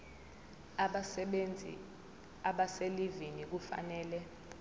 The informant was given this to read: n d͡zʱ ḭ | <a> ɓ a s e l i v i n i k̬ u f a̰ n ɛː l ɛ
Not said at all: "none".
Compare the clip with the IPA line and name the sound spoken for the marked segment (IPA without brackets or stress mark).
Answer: a